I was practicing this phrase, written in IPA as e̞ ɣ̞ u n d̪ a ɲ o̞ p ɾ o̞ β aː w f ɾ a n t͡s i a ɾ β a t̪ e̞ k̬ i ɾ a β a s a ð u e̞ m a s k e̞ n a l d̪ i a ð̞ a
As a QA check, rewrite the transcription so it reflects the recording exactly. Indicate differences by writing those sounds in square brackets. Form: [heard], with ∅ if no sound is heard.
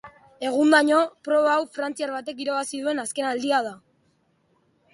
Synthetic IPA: e̞ ɣ̞ u n d̪ a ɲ o̞ p ɾ o̞ β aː w f ɾ a n t͡s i a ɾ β a t̪ e̞ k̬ i ɾ a β a s [i] ð u e̞ [n] a s k e̞ n a l d̪ i a ð̞ a